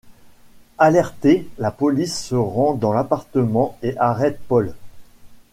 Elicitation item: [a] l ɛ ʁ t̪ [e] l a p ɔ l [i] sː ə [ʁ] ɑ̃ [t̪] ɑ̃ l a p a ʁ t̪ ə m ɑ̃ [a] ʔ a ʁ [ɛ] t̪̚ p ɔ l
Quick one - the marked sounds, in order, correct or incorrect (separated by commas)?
correct, correct, correct, correct, incorrect, incorrect, correct